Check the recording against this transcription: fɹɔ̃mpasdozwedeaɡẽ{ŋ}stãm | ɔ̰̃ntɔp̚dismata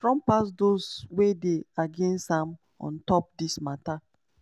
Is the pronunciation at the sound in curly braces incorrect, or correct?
incorrect